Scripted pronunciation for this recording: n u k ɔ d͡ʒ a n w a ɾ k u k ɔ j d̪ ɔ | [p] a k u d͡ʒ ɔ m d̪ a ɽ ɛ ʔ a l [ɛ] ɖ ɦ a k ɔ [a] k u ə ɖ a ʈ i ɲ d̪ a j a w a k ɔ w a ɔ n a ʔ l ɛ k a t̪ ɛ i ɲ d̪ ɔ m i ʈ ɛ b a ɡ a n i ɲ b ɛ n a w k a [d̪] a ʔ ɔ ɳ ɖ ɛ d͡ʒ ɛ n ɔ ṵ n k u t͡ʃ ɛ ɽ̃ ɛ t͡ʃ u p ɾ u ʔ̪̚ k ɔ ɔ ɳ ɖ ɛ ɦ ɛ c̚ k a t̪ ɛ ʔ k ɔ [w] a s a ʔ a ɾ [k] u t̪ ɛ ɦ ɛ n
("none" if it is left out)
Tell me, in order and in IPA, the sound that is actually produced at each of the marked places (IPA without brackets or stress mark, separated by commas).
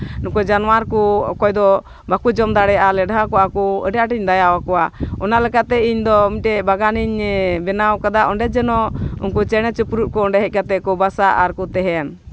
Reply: b, ɛ, a, d̪, b, k